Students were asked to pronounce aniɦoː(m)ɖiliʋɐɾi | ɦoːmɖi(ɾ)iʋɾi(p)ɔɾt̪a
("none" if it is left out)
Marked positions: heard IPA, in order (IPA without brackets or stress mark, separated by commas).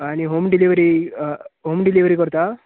m, l, k